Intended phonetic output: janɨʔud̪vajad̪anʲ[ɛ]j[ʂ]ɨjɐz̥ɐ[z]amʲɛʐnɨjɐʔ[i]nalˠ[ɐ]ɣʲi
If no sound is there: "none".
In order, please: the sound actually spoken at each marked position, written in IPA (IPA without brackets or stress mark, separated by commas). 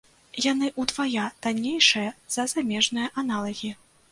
e, ʂ, z, a, ɐ